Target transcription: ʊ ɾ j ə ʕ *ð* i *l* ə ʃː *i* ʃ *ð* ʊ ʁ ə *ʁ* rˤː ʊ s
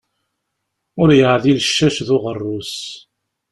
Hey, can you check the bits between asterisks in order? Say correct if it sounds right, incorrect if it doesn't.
correct, correct, incorrect, correct, incorrect

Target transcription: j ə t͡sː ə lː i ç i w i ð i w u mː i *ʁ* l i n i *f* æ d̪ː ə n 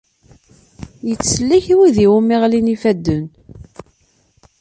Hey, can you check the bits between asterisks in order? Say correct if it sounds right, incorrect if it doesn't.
correct, correct

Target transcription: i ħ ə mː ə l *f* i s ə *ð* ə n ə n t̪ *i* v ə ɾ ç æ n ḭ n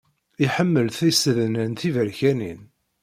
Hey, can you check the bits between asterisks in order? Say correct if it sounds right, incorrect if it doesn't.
incorrect, correct, correct

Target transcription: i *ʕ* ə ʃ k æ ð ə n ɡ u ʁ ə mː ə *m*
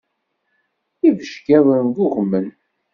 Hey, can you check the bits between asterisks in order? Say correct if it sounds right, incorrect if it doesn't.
incorrect, incorrect

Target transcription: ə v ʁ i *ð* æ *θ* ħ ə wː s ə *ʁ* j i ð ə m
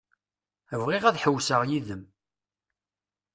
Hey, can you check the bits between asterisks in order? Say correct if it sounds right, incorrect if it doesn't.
incorrect, incorrect, correct

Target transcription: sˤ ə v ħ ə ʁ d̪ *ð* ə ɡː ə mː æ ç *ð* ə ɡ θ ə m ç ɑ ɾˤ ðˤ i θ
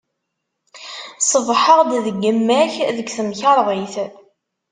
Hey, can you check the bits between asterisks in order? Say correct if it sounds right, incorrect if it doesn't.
correct, correct

